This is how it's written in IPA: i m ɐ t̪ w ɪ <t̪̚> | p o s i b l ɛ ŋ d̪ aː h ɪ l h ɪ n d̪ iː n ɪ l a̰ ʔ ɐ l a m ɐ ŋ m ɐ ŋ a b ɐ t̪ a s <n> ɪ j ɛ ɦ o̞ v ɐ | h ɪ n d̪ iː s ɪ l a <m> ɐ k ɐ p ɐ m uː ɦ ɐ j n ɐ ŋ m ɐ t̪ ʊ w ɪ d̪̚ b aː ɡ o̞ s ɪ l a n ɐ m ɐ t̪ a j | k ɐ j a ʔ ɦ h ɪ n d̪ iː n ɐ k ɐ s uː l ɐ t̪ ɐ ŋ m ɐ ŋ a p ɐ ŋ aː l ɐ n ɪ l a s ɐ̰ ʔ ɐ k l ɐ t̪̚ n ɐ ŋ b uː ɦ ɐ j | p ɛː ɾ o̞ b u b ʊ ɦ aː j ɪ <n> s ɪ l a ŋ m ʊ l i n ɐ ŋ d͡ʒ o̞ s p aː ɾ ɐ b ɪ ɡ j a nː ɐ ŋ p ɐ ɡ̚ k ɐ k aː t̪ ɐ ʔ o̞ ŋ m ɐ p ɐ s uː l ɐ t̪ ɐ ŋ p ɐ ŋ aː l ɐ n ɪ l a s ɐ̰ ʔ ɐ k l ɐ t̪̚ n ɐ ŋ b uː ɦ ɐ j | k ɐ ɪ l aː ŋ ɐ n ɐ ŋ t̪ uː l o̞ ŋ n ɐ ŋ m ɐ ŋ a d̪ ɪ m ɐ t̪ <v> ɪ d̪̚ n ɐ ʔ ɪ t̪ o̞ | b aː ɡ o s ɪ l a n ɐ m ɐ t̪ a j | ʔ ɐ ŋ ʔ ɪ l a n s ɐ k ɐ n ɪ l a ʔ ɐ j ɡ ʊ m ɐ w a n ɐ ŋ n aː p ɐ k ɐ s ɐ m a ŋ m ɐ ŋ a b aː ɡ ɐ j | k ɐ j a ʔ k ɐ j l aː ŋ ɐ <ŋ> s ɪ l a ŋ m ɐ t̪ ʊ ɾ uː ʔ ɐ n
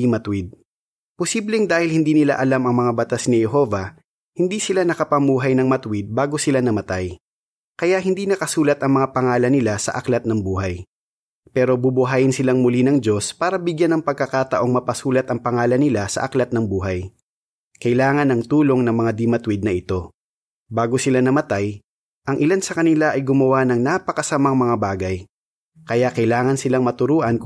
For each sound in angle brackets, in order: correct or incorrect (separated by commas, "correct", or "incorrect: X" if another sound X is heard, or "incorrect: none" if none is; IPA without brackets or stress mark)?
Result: incorrect: d̪̚, correct, incorrect: n, correct, incorrect: w, incorrect: n